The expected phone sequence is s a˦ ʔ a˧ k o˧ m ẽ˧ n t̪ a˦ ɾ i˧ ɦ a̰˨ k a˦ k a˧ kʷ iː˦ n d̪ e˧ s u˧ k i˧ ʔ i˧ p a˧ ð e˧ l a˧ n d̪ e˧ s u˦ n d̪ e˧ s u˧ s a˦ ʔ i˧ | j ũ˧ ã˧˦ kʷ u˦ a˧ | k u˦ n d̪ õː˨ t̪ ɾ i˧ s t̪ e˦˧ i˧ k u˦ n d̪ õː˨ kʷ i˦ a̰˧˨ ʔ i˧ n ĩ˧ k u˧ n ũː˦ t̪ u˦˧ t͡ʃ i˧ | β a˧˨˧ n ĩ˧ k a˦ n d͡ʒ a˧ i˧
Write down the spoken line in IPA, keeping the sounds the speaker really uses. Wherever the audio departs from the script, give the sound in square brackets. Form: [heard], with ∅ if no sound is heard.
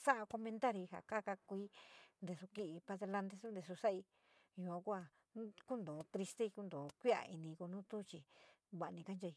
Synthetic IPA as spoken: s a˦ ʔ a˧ k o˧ m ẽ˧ n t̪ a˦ ɾ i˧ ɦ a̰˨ k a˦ k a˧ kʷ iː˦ n d̪ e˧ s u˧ k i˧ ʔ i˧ p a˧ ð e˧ l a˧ n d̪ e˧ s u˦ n d̪ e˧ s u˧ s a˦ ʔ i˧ | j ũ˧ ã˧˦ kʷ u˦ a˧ | k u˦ n d̪ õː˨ t̪ ɾ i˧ s t̪ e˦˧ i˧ k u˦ n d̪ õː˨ kʷ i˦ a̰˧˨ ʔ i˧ n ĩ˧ k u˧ n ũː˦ t̪ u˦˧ t͡ʃ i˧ | β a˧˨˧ n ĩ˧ k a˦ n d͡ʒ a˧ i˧

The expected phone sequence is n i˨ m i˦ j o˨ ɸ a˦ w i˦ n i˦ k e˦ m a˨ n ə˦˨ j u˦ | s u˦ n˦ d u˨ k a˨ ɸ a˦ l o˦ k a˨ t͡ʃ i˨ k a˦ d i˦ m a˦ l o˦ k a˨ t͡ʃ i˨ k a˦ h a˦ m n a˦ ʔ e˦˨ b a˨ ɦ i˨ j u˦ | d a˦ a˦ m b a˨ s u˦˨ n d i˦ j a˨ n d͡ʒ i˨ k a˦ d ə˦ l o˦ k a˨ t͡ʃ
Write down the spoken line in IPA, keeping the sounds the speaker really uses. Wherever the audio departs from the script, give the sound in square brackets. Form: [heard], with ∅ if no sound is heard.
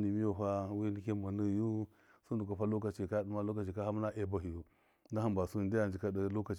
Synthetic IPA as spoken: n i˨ m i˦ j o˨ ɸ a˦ w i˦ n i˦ k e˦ m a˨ n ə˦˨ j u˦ | s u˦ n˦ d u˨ k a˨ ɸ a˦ l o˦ k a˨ t͡ʃ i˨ k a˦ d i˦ m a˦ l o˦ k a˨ t͡ʃ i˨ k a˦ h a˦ m n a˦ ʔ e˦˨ b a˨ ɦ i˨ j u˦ | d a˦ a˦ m b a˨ s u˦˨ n d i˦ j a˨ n d͡ʒ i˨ k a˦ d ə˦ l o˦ k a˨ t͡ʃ

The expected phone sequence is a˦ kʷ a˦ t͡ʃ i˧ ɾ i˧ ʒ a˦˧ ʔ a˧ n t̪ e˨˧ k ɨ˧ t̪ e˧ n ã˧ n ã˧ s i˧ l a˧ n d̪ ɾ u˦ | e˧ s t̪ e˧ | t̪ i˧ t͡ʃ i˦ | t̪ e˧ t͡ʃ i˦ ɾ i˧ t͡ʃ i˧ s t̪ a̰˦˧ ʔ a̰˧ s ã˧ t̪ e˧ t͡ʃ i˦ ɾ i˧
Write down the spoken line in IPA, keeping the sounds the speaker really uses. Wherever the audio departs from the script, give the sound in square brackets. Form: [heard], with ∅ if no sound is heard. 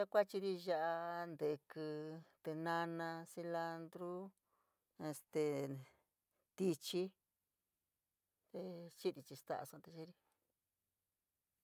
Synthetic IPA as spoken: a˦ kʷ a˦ t͡ʃ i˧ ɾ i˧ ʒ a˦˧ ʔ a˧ n [d̪] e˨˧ k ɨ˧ t̪ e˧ n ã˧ n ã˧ s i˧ l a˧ n d̪ ɾ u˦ | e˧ s t̪ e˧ | t̪ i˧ t͡ʃ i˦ | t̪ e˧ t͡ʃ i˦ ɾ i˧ t͡ʃ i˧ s t̪ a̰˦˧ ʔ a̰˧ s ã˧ t̪ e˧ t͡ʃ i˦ ɾ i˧

